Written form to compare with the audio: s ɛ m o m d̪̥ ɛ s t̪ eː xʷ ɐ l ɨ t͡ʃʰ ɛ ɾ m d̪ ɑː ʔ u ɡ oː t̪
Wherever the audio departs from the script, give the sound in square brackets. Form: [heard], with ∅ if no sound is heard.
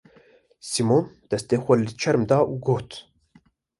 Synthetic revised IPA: s [i] m o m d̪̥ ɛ s t̪ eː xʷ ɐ l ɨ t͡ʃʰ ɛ ɾ m d̪ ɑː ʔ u ɡ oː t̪